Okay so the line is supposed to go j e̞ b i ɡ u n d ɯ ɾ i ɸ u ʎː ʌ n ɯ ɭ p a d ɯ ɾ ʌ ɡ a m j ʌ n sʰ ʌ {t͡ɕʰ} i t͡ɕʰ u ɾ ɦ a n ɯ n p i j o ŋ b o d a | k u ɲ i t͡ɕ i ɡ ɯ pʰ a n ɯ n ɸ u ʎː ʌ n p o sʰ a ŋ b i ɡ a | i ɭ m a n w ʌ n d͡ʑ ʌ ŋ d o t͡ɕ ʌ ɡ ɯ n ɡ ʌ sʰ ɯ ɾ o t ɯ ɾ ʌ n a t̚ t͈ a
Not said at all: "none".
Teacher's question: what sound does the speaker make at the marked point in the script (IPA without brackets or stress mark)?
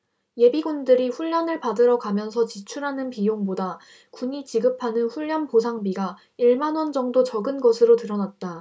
t͡ɕ